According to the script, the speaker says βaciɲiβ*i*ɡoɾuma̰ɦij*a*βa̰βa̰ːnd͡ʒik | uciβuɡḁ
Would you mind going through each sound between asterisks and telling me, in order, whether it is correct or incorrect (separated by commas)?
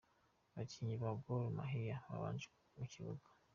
incorrect, correct